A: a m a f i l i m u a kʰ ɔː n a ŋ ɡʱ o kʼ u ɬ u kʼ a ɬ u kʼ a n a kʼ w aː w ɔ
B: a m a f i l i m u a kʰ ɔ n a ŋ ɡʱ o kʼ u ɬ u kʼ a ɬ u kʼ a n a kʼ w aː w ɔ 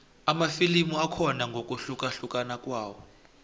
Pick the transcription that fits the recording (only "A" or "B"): B